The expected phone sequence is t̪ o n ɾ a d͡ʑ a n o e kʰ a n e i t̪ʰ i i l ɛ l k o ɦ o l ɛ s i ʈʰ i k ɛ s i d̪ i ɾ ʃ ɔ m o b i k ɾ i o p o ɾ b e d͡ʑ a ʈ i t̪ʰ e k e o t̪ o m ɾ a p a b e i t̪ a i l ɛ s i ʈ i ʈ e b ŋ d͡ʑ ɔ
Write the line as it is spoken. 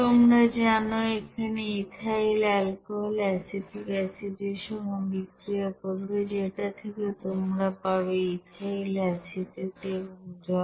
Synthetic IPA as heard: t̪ o m ɾ a d͡ʑ a n o e kʰ a n e i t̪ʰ a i l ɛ l k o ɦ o l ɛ s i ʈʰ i k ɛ s i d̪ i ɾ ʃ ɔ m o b i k ɾ i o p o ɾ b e d͡ʑ e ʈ a t̪ʰ e k e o t̪ o m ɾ a p a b e i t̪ a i l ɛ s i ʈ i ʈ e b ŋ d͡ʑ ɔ